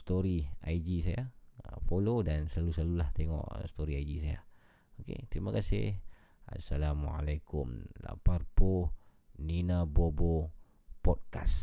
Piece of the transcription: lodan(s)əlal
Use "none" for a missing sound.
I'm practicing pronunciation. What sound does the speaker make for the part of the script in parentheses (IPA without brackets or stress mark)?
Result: s